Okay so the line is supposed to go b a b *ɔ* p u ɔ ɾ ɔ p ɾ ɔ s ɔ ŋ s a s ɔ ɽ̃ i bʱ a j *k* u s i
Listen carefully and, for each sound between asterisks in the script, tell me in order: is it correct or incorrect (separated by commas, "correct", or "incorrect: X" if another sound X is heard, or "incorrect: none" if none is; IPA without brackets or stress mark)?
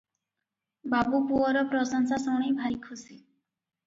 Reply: incorrect: u, incorrect: kʰ